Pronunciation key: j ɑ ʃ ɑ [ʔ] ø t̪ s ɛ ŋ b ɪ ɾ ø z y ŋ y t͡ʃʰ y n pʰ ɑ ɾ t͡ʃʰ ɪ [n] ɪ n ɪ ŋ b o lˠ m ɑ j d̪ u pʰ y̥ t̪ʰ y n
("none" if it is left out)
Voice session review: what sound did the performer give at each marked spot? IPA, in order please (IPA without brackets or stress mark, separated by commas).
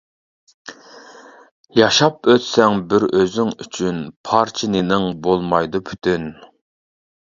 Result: p, n